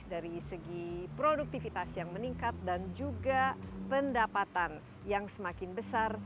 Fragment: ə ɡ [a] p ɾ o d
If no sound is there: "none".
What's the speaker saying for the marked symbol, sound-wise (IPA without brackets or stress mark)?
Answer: i